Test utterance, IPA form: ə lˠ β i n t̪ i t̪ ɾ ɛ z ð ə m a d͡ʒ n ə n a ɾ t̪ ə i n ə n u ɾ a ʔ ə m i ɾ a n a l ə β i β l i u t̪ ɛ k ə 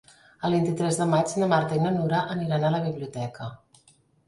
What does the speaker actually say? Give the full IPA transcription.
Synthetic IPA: ə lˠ β i n t̪ i t̪ ɾ ɛ z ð ə m a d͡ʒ n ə m a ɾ t̪ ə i n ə n u ɾ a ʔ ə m i ɾ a n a l ə β i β l i u t̪ ɛ k ə